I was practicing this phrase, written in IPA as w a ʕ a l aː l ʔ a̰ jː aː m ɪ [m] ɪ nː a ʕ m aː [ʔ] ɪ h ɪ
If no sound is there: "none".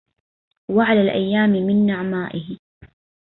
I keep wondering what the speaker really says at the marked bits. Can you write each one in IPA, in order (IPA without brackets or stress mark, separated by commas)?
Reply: m, ʔ